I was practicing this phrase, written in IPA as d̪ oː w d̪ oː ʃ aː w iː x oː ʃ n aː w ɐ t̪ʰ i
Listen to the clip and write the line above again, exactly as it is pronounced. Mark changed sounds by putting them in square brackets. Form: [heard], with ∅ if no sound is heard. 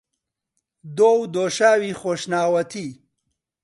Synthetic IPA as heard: d̪ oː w d̪ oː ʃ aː w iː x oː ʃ n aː w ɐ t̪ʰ i